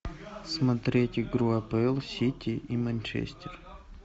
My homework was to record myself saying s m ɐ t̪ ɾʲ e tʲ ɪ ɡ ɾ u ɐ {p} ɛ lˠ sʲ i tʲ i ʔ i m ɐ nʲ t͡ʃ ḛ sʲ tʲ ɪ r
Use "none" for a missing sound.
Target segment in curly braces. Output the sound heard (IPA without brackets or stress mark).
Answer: p